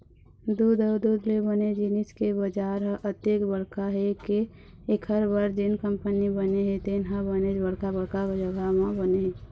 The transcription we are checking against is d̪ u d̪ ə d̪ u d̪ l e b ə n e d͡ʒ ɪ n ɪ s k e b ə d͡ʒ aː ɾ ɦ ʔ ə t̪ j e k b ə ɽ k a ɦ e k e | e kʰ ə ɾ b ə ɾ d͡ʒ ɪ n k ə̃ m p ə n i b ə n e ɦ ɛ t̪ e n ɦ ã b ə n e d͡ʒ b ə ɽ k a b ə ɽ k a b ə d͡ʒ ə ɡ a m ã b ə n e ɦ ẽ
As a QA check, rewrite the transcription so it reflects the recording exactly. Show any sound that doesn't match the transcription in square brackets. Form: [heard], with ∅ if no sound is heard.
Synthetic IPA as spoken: d̪ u d̪ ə d̪ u d̪ l e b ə n e d͡ʒ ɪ n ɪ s k e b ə d͡ʒ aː ɾ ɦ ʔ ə t̪ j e k b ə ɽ k a ɦ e k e | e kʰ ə ɾ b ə ɾ d͡ʒ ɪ n k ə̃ m p ə n i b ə n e ɦ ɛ t̪ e n ɦ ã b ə n e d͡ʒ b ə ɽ k a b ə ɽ k a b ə d͡ʒ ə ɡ a m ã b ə n e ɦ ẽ